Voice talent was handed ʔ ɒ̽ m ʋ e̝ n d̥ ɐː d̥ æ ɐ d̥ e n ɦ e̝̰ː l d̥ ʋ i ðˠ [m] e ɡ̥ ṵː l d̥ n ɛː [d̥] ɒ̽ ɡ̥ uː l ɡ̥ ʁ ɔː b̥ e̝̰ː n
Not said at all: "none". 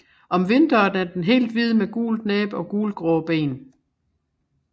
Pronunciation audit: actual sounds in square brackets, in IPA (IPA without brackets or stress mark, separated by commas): m, b̥